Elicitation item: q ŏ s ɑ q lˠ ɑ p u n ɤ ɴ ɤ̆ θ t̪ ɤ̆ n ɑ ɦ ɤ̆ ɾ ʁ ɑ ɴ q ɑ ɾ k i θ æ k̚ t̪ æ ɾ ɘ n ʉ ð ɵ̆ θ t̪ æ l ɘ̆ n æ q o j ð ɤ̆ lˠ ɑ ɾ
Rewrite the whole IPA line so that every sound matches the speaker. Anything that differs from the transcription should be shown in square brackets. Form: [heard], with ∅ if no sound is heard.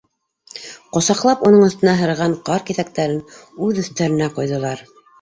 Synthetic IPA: q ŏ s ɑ q lˠ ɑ p u n ɤ ɴ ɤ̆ θ t̪ ɤ̆ n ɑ ɦ ɤ̆ ɾ ʁ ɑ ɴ q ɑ ɾ k i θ æ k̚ t̪ æ ɾ ɘ n ʉ ð ɵ̆ θ t̪ æ [ɾ] ɘ̆ n æ q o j ð ɤ̆ lˠ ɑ ɾ